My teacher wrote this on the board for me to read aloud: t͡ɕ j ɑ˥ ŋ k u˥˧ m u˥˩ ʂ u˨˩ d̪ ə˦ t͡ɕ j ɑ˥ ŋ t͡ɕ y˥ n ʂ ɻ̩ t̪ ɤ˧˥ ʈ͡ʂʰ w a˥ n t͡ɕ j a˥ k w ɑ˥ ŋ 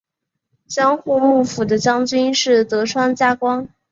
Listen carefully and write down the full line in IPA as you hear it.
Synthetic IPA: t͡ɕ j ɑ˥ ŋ x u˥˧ m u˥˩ f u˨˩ d̪ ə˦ t͡ɕ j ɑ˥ ŋ t͡ɕ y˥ n ʂ ɻ̩ t̪ ɤ˧˥ ʈ͡ʂʰ w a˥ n t͡ɕ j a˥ k w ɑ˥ ŋ